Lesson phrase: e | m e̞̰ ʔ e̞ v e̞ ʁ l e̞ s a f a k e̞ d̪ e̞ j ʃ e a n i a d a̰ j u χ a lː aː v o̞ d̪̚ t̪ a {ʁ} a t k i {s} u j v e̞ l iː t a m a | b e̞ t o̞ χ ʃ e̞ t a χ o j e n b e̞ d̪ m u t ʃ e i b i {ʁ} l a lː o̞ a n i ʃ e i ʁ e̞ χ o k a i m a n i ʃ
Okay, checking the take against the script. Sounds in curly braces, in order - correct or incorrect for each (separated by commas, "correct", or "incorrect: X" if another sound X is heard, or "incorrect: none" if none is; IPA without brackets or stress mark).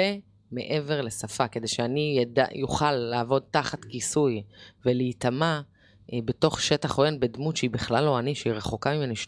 incorrect: χ, correct, incorrect: χ